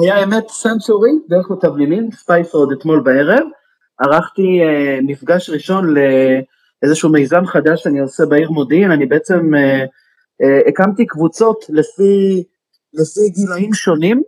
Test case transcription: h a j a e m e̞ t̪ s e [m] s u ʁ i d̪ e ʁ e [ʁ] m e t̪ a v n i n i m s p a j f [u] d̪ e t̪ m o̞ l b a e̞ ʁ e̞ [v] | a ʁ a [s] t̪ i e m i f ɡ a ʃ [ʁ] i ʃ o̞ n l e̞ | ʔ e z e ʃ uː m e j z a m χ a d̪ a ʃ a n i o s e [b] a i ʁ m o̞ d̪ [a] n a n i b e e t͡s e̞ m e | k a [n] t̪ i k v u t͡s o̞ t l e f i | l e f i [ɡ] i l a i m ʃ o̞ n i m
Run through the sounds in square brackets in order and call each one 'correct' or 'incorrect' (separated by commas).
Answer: incorrect, incorrect, incorrect, correct, incorrect, correct, correct, incorrect, incorrect, correct